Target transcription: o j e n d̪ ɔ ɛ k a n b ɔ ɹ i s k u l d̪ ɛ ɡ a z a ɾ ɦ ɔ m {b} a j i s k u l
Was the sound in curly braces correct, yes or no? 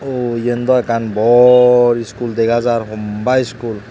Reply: yes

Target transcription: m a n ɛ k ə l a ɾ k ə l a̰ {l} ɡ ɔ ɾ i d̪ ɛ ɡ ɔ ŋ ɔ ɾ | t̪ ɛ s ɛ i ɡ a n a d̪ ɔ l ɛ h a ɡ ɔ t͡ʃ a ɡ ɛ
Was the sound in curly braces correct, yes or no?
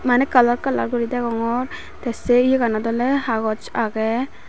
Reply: no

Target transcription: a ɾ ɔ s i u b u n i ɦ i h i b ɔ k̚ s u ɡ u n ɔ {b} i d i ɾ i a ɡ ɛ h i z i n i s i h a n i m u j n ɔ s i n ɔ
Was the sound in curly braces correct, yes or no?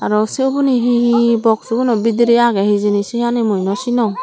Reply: yes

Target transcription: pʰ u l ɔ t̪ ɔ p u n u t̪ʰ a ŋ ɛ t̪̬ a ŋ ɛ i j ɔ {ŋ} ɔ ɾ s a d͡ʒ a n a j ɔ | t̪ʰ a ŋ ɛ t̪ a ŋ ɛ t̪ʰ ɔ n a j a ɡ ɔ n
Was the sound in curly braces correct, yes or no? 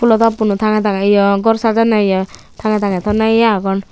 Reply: no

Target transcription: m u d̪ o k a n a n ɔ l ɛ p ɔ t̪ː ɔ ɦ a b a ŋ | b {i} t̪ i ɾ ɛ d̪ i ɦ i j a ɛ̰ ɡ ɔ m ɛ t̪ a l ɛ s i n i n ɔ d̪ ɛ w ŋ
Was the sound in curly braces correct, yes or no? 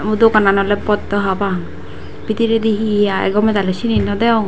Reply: yes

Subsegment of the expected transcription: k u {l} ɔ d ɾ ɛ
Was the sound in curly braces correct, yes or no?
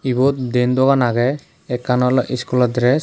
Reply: yes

